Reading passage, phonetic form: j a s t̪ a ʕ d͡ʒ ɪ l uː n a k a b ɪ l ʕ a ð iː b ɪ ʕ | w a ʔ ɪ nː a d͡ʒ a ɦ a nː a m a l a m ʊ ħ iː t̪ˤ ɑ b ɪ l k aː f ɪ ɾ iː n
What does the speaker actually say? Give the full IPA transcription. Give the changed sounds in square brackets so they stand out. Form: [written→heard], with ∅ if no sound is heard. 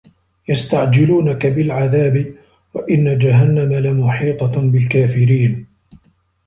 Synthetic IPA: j a s t̪ a ʕ d͡ʒ ɪ l uː n a k a b ɪ l ʕ a ð [iː→aː] b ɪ [ʕ→∅] | w a ʔ ɪ nː a d͡ʒ a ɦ a nː a m a l a m ʊ ħ iː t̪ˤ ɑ b ɪ l k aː f ɪ ɾ iː n